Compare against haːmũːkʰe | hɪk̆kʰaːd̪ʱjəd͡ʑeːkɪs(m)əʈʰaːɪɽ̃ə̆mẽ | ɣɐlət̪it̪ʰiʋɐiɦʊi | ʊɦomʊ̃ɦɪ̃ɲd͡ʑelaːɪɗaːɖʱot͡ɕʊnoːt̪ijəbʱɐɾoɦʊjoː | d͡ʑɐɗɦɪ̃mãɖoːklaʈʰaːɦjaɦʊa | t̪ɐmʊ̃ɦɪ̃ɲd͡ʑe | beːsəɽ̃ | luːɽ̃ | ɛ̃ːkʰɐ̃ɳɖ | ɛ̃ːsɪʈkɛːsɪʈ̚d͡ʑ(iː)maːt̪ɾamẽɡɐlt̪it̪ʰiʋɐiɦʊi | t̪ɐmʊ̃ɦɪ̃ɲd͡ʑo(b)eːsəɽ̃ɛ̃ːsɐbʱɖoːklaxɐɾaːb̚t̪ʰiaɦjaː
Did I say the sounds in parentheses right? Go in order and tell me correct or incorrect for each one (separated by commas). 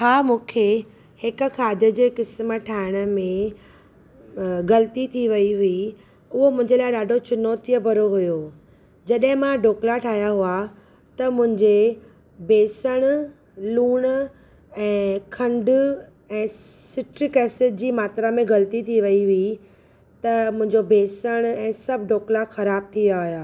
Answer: correct, correct, correct